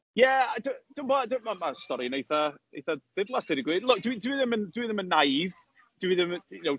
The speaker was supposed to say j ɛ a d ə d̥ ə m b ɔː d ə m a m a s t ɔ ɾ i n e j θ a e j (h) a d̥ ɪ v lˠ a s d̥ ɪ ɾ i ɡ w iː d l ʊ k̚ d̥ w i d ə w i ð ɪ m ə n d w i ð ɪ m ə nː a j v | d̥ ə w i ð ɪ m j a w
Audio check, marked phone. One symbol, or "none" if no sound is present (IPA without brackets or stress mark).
θ